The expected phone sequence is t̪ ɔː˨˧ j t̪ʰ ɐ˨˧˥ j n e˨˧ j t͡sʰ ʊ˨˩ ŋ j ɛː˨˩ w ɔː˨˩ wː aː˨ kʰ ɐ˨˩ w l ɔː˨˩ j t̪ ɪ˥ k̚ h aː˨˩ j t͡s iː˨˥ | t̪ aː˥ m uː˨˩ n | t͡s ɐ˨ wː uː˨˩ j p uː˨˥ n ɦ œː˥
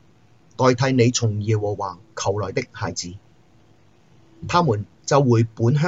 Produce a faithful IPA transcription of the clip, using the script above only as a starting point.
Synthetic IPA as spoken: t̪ ɔː˨˧ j t̪ʰ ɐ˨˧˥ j n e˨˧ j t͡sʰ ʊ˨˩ ŋ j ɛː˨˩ w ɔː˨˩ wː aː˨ kʰ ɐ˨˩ w l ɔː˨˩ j t̪ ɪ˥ k̚ h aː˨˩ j t͡s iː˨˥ | t̪ʰ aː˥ m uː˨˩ n | t͡s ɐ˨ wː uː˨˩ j p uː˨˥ n ɦ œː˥